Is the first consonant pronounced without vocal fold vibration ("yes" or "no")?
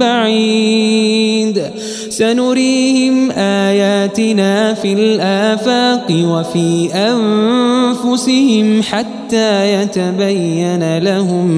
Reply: no